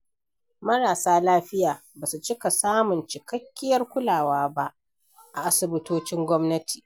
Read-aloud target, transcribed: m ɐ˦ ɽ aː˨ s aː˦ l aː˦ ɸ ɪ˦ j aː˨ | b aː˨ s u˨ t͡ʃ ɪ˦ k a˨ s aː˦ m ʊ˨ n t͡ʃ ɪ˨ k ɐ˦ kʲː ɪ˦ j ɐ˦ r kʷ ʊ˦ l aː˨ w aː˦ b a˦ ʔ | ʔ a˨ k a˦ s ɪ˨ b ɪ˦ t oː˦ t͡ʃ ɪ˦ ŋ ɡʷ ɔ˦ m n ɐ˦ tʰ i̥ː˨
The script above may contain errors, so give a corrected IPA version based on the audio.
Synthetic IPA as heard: m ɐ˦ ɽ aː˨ s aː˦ l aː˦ ɸ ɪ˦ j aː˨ | b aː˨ s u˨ t͡ʃ ɪ˦ k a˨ s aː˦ m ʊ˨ n t͡ʃ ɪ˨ k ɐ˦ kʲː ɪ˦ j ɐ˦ r kʷ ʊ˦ l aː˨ w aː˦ b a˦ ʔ | ʔ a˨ ʔ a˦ s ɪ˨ b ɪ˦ t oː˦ t͡ʃ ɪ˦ ŋ ɡʷ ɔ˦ m n ɐ˦ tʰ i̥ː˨